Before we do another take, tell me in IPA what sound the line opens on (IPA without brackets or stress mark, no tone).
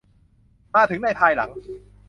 m